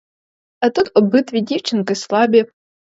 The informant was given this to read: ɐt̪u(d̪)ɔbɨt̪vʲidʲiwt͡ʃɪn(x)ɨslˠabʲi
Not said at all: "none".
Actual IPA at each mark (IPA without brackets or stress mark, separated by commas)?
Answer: t̪, k